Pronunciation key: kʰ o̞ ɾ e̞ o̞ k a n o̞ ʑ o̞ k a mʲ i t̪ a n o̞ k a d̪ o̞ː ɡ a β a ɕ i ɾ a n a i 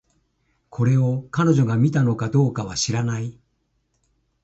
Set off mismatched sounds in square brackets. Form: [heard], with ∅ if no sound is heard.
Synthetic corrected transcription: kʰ o̞ ɾ e̞ o̞ k a n o̞ ʑ o̞ [ɡ] a mʲ i t̪ a n o̞ k a d̪ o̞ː [k] a β a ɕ i ɾ a n a i